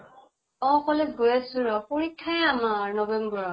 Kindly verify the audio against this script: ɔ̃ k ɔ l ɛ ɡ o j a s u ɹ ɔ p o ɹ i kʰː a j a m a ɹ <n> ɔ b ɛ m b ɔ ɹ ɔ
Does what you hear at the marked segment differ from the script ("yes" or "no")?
no